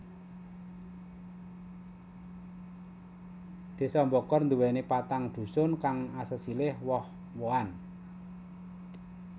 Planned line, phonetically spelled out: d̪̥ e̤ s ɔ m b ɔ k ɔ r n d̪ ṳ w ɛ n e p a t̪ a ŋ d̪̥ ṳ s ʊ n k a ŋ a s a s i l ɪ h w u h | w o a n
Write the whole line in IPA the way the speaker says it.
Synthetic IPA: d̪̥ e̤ s ɔ m b ɔ k ɔ r n d̪ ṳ w ɛ n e p a t̪ a ŋ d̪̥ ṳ s ʊ n k a ŋ a s ə s i l ɪ h w ɔ h | w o a n